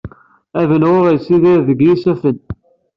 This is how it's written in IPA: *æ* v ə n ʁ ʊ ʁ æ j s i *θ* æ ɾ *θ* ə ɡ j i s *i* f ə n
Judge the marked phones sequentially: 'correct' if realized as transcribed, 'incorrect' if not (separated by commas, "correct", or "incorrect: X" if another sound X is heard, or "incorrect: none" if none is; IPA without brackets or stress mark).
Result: correct, incorrect: ð, incorrect: ð, incorrect: æ